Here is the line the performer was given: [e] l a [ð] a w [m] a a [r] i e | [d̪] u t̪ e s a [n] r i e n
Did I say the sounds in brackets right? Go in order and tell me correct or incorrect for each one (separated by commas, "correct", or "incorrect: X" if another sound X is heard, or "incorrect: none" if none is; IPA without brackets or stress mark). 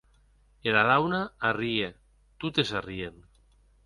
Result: correct, correct, incorrect: n, correct, incorrect: t̪, incorrect: none